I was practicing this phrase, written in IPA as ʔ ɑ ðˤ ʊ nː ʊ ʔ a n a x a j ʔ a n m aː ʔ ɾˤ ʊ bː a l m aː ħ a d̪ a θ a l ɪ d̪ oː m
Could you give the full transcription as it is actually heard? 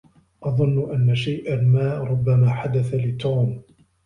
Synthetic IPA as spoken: ʔ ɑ ðˤ ʊ nː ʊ ʔ a nː a ʃ a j ʔ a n m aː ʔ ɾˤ ʊ bː a m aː ħ a d̪ a θ a l ɪ t̪ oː m